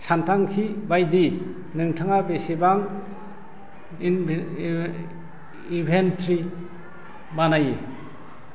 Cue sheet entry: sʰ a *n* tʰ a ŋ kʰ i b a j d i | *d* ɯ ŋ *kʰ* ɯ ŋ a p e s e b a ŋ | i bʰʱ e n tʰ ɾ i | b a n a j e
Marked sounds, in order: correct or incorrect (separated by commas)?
correct, incorrect, incorrect